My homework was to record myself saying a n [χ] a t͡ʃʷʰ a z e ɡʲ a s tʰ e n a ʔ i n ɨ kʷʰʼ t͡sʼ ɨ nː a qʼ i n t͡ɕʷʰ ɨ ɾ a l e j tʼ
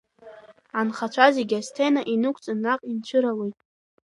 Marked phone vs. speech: correct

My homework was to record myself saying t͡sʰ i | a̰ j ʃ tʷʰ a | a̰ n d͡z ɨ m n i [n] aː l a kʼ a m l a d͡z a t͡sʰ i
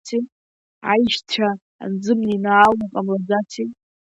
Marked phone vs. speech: correct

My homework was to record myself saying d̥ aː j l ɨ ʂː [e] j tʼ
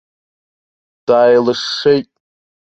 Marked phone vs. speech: correct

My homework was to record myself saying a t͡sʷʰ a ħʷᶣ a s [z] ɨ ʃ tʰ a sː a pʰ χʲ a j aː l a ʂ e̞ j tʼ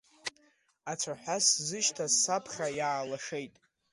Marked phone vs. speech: correct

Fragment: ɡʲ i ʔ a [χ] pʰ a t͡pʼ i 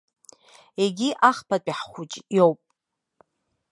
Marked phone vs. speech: correct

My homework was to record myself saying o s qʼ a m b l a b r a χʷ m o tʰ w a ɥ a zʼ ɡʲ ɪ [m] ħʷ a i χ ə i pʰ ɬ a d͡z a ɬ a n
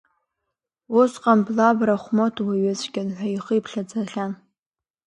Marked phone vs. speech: incorrect: n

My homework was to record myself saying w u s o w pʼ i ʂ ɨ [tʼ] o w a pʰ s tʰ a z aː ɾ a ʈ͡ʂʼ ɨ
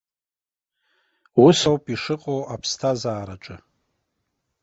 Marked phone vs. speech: incorrect: qʼ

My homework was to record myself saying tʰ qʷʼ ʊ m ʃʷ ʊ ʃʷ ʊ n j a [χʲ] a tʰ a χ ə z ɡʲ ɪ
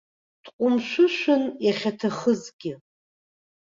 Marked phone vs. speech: correct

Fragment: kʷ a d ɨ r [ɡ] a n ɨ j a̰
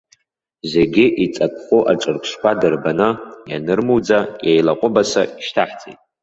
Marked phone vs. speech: incorrect: b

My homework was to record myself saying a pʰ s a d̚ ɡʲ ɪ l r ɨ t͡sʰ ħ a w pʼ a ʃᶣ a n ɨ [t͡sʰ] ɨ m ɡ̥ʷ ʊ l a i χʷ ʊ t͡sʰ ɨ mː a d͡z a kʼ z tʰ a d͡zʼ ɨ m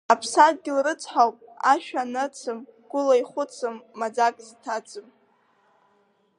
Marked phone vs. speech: correct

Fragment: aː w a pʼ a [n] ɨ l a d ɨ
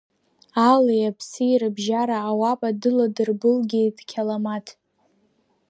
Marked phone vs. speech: incorrect: d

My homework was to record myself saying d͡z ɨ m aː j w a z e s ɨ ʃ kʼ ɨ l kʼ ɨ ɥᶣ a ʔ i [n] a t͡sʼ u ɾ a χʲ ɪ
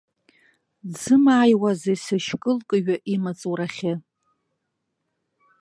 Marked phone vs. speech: incorrect: m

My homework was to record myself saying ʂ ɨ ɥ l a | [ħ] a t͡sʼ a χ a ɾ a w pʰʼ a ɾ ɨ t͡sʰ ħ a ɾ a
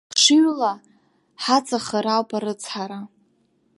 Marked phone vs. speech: correct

